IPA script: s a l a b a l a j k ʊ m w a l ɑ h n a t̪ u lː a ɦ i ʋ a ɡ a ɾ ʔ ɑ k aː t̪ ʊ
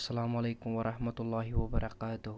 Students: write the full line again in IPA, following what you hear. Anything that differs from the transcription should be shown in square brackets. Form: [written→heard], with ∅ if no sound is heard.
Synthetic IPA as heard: s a l a [b→m] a l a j k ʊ m w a [l→ɾ] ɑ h [n→m] a t̪ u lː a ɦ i [ʋ→w] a [ɡ→b] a ɾ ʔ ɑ k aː t̪ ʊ

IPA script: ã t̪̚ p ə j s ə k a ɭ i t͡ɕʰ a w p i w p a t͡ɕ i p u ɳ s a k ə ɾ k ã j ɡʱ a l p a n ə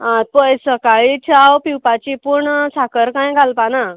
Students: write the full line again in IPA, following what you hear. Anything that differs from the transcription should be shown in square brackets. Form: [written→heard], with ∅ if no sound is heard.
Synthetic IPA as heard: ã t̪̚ p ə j s ə k a ɭ i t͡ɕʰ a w p i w p a t͡ɕ i p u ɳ s a k ə ɾ k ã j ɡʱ a l p a n [ə→a]

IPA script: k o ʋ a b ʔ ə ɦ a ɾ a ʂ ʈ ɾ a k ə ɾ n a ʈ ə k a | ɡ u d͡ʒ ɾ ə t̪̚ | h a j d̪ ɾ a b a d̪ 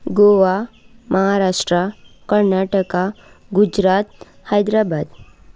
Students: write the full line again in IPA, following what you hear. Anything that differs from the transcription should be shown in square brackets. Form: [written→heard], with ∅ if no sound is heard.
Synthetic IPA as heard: [k→ɡ] o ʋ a [b→m] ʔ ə ɦ a ɾ a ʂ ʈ ɾ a k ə ɾ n a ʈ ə k a | ɡ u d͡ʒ ɾ [ə→a] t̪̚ | h a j d̪ ɾ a b a d̪

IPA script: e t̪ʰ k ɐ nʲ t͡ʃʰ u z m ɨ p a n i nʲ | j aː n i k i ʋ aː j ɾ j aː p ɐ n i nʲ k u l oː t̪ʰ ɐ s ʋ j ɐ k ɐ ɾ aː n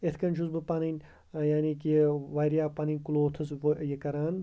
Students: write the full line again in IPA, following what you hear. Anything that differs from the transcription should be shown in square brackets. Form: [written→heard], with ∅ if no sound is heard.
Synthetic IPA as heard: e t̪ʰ k ɐ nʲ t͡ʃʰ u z [m→b] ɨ p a n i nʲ | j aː n i k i ʋ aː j ɾ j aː p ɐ n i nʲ k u l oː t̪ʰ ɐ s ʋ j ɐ k ɐ ɾ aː n

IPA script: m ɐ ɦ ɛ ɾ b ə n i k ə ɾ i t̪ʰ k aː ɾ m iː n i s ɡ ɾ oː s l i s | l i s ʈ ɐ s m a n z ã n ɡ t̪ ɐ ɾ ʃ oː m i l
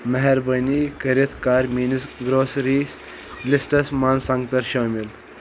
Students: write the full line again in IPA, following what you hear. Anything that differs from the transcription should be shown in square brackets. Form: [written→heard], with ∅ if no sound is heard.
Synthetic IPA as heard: m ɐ ɦ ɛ ɾ b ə n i k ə ɾ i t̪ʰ k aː ɾ m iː n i s ɡ ɾ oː s [l→ɾ] i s | l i s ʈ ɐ s m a n [z→s] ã [n→ŋ] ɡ t̪ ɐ ɾ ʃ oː m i l

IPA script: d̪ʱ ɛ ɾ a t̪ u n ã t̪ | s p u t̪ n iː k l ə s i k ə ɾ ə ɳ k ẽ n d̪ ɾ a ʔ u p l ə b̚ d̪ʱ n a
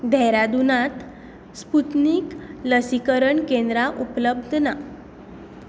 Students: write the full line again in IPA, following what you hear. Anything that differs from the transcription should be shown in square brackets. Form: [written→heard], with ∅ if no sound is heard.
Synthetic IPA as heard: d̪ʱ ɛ ɾ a [t̪→d̪] u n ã t̪ | s p u t̪ n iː k l ə s i k ə ɾ ə ɳ k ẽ n d̪ ɾ a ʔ u p l ə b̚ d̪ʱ n a

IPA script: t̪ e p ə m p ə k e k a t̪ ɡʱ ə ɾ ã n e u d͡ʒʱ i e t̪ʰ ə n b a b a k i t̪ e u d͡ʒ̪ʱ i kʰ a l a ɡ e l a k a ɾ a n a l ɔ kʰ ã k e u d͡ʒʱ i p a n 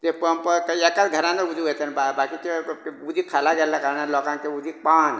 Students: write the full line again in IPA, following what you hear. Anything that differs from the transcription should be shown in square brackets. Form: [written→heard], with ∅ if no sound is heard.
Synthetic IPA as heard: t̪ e p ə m p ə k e k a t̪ ɡʱ ə ɾ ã n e u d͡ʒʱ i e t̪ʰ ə n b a b a k i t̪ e u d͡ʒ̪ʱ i kʰ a l a ɡ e l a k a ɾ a n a l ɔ [kʰ→k] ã k e u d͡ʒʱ i p a n

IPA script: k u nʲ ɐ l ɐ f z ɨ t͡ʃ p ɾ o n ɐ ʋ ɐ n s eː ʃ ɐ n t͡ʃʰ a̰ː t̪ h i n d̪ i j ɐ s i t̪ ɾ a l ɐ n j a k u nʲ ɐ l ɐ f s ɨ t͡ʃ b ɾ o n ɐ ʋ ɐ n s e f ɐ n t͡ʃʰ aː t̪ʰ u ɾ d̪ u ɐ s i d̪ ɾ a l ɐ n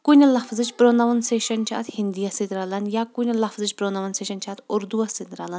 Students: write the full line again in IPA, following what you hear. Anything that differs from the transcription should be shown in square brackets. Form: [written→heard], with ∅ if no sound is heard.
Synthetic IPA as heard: k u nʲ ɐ l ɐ f z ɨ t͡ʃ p ɾ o n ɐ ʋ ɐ n s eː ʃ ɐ n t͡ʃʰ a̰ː t̪ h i n d̪ i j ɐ s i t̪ ɾ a l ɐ n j a k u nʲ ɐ l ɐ f [s→z] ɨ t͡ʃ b ɾ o n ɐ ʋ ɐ n s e [f→ʃ] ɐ n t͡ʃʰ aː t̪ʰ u ɾ d̪ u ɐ s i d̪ ɾ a l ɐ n

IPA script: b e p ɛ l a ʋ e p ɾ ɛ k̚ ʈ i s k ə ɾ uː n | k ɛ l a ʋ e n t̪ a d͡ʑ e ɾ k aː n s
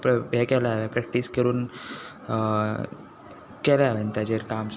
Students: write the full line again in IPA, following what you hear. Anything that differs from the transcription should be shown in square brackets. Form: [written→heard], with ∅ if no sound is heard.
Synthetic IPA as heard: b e [p→k] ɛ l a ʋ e p ɾ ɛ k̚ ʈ i s k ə ɾ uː n | k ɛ l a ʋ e n t̪ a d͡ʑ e ɾ k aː [n→m] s

